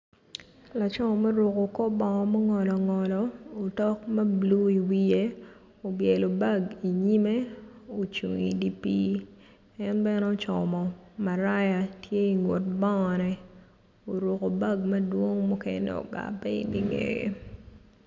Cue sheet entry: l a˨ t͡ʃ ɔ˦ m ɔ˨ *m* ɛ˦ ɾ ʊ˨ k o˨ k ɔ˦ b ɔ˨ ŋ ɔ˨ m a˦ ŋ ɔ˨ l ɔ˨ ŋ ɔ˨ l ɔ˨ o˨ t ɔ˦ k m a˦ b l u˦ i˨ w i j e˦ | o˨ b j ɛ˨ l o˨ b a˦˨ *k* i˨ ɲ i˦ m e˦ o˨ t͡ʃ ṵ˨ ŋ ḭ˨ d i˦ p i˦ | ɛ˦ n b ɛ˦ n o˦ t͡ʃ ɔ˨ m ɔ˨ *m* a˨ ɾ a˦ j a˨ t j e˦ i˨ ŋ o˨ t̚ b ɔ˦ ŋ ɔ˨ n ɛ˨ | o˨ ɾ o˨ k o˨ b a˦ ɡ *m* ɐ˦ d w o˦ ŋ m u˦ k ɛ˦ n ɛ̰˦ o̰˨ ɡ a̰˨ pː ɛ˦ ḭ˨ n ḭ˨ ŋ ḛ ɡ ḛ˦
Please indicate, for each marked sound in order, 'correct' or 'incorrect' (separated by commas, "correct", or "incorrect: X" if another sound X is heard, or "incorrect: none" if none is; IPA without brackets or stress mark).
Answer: correct, incorrect: ɡ, correct, correct